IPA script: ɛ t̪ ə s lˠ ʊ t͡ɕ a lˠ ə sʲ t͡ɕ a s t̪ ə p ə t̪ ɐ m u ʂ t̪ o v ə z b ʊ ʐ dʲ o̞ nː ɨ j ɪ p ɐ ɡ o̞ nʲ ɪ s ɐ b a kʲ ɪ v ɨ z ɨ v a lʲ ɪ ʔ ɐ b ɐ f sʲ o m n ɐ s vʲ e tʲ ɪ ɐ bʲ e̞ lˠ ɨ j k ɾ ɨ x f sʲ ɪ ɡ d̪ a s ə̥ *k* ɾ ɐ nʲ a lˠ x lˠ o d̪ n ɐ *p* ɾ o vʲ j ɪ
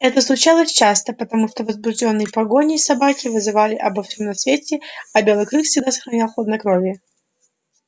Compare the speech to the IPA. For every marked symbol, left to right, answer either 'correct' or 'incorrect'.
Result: incorrect, incorrect

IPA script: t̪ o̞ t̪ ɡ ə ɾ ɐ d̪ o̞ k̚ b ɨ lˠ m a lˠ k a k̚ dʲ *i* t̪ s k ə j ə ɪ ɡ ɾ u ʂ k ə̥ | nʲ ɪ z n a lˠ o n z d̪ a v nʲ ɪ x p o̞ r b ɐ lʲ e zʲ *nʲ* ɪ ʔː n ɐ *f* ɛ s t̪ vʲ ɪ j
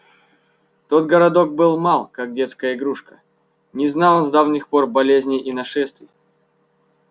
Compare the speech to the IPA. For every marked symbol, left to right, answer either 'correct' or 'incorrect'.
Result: incorrect, correct, incorrect

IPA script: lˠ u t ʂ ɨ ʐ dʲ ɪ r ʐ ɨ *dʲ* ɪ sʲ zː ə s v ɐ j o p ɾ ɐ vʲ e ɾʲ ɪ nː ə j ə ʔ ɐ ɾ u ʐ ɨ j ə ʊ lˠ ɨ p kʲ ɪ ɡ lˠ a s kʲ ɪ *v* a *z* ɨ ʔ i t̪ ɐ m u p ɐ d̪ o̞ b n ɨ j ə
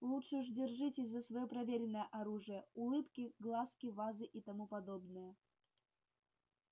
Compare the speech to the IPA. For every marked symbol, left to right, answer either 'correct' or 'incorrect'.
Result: incorrect, correct, correct

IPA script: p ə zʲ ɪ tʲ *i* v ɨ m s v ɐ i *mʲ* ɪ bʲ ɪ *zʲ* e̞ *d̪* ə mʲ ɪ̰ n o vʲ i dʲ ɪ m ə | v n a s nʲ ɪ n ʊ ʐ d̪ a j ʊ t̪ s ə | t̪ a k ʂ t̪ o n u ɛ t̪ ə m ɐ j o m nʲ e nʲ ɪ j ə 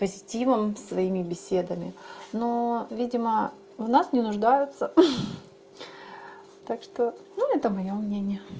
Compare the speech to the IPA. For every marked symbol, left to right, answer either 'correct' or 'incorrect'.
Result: correct, correct, incorrect, correct

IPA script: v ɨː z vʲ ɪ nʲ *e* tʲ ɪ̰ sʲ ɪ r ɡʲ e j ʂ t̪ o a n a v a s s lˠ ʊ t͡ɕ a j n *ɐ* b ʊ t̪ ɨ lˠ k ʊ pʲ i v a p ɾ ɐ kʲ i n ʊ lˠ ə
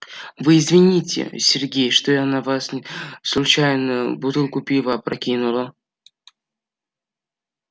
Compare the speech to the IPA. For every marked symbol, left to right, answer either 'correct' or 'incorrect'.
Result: incorrect, incorrect

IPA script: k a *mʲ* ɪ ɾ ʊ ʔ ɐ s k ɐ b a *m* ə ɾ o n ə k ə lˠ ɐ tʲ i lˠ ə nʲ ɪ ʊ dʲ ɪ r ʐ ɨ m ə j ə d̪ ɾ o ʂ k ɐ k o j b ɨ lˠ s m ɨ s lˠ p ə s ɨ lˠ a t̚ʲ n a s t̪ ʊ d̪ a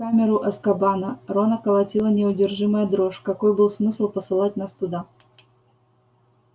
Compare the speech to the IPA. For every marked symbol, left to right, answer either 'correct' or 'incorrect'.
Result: correct, incorrect

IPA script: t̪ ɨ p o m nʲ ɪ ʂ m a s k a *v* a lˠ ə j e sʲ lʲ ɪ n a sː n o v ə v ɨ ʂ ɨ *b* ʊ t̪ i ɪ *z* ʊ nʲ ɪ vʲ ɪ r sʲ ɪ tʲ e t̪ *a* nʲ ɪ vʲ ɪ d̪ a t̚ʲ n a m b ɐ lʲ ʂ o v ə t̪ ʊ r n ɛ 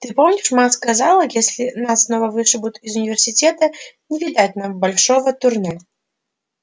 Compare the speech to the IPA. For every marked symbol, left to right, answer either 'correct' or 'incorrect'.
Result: incorrect, correct, correct, incorrect

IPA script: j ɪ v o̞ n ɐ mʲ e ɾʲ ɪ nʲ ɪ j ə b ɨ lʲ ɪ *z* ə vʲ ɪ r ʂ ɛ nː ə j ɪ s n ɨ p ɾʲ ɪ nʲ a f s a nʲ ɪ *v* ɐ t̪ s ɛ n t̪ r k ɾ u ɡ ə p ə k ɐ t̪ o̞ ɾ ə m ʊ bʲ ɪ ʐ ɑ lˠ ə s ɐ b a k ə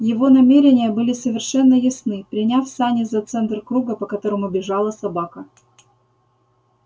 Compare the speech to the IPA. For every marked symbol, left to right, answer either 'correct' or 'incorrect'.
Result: incorrect, incorrect

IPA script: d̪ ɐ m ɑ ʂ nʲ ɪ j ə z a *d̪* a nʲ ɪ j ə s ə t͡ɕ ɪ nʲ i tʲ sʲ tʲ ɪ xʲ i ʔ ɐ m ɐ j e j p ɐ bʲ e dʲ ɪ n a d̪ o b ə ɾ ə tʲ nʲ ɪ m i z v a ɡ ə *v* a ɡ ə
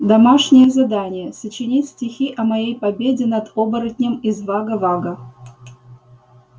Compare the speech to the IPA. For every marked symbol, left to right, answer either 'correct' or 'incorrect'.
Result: correct, correct

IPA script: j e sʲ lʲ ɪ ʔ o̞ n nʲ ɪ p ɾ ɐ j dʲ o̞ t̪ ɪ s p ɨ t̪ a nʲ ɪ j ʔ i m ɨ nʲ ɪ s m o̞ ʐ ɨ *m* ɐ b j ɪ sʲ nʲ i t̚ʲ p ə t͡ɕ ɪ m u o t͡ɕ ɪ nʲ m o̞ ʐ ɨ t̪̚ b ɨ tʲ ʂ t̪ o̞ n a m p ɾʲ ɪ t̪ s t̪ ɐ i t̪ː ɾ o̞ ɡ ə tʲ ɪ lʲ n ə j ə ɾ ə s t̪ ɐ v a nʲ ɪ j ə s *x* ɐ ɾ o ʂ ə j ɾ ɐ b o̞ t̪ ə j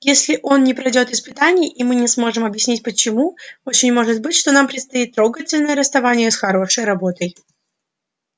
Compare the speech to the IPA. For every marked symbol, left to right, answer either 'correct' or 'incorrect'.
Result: correct, correct

